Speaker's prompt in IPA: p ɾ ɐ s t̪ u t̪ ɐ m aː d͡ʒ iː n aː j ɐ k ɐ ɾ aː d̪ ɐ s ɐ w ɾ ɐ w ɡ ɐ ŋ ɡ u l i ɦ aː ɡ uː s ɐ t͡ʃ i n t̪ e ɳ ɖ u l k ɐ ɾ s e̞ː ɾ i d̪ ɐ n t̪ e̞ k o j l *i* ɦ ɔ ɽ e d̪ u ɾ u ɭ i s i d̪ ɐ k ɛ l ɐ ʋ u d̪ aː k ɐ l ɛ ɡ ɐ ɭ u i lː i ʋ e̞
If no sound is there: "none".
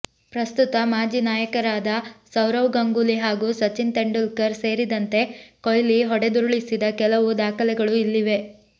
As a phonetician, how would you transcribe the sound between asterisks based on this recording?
i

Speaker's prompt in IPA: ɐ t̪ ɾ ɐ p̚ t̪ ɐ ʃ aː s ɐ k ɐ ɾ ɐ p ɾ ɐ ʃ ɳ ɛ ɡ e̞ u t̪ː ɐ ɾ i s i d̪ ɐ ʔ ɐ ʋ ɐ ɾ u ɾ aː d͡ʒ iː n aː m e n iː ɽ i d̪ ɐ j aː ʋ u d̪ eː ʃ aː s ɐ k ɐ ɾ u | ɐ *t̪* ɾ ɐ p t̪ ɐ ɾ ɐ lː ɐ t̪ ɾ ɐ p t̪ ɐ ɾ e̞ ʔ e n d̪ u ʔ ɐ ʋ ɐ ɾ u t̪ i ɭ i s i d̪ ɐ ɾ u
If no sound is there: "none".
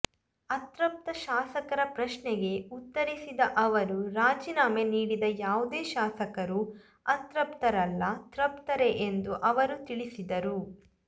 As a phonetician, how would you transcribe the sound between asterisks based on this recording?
t̪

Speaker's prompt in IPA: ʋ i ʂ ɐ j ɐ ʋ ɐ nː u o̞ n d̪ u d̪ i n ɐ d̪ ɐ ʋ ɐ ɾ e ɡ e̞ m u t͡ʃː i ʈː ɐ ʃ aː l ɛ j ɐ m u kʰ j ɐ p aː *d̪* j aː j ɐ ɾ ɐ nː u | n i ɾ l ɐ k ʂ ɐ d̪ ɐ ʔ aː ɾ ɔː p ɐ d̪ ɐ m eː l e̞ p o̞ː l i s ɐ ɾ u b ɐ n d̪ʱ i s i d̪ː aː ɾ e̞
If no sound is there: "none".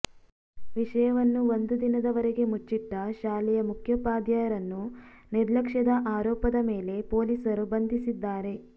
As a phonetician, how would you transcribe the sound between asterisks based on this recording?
d̪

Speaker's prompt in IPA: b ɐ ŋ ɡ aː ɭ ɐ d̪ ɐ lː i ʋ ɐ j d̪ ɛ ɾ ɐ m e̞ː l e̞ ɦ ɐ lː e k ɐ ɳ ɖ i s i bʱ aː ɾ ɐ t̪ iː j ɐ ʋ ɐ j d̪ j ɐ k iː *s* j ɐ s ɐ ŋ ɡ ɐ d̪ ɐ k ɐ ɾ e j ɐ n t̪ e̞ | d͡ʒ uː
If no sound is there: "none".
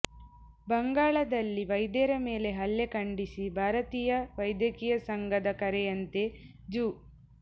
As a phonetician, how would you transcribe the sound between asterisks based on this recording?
none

